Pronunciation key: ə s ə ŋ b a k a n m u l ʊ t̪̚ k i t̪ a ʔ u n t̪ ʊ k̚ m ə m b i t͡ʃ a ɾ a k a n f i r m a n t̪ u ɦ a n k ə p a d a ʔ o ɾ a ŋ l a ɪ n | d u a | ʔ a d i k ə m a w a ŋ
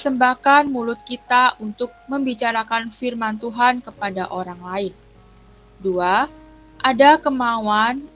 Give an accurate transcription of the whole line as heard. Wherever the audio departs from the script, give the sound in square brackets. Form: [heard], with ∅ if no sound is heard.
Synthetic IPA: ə s ə [m] b a k a n m u l ʊ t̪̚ k i t̪ a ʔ u n t̪ ʊ k̚ m ə m b i t͡ʃ a ɾ a k a n f i r m a n t̪ u ɦ a n k ə p a d a ʔ o ɾ a ŋ l a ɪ n | d u a | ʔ a d [a] k ə m a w a [n]